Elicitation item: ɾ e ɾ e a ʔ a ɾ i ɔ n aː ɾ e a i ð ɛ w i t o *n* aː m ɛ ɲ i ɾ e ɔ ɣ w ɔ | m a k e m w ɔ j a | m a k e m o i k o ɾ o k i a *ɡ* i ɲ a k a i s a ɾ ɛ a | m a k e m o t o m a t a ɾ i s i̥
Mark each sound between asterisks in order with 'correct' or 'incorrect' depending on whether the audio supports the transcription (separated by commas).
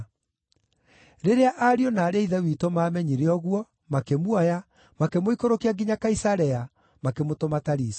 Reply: incorrect, correct